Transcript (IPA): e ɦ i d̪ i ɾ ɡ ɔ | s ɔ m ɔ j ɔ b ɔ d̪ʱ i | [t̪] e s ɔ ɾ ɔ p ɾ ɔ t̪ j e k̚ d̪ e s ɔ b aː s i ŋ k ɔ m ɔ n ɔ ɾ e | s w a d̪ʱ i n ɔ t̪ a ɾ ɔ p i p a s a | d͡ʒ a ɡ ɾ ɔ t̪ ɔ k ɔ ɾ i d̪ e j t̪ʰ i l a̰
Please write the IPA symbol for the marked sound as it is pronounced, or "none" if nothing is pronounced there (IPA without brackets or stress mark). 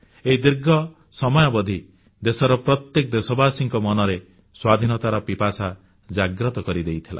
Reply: d̪